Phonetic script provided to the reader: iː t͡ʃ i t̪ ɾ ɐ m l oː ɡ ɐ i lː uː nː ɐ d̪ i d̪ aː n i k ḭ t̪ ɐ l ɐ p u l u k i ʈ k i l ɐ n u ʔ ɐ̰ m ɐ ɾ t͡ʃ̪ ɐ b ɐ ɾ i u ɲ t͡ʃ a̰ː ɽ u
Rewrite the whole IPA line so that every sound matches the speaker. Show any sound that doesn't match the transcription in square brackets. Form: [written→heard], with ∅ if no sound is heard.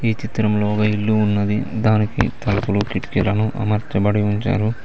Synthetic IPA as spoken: iː t͡ʃ i t̪ ɾ ɐ m l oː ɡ ɐ i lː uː nː ɐ d̪ i d̪ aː n i k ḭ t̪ ɐ l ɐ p u l u k i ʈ k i l ɐ n u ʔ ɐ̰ m ɐ ɾ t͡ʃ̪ ɐ b ɐ [ɾ→ɽ] i u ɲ t͡ʃ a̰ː [ɽ→ɾ] u